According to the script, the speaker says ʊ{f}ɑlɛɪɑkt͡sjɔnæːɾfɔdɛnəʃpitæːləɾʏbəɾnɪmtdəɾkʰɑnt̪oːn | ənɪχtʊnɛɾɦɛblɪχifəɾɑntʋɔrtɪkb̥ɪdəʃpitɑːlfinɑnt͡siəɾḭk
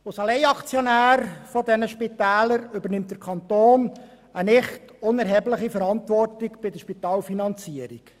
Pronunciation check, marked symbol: incorrect: s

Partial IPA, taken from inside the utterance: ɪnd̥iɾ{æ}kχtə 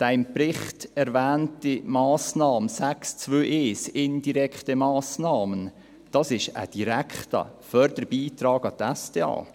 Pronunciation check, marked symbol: incorrect: ɛ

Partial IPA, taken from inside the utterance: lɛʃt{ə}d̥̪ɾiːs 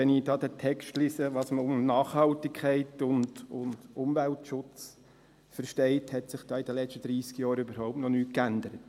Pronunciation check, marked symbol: correct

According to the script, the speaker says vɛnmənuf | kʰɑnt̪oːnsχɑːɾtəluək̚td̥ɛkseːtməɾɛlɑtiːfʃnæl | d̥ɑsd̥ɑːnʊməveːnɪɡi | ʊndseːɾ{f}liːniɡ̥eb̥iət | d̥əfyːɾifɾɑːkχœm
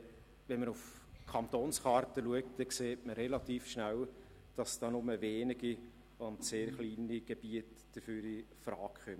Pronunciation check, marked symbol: incorrect: χ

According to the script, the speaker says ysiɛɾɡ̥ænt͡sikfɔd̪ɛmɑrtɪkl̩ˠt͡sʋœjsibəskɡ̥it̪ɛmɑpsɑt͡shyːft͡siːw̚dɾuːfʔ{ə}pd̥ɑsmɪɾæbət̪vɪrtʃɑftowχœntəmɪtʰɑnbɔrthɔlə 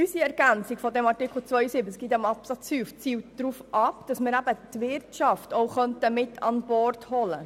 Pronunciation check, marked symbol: incorrect: ɑ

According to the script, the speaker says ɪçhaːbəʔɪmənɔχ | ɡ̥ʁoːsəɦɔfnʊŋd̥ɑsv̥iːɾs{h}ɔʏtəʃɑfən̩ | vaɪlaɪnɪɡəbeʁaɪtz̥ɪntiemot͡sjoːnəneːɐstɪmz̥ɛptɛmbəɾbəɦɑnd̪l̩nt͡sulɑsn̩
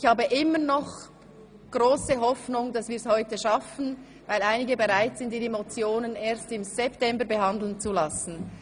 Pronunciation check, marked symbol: correct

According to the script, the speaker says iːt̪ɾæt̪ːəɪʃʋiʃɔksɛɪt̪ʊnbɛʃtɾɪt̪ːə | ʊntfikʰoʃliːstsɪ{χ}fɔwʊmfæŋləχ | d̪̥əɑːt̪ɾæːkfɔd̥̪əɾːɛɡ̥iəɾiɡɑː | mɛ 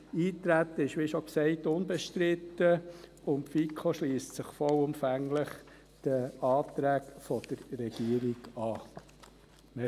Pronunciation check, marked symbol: correct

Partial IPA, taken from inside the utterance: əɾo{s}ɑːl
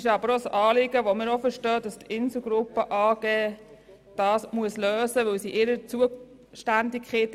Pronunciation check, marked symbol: correct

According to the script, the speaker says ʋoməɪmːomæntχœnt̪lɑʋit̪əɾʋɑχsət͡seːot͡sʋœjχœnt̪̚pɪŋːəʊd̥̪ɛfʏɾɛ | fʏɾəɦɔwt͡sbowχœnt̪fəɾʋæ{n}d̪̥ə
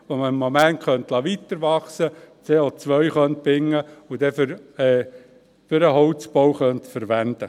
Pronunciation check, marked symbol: correct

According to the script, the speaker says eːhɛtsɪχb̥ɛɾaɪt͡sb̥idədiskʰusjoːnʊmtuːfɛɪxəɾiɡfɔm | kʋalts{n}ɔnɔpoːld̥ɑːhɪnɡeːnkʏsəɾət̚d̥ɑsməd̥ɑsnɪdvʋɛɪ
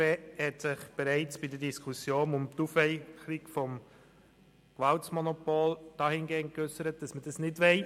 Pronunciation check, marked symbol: incorrect: m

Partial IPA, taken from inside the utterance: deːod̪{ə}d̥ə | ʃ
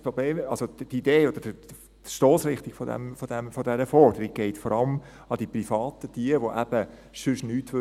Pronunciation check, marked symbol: correct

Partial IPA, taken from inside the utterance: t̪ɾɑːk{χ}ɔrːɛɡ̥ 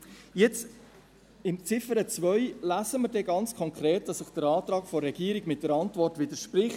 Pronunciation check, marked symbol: incorrect: f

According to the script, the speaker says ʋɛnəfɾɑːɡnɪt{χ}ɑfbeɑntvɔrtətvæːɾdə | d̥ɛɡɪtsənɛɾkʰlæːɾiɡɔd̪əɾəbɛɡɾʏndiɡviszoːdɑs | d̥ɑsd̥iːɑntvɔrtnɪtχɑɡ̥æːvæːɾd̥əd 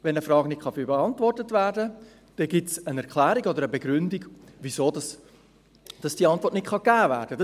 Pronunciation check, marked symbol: correct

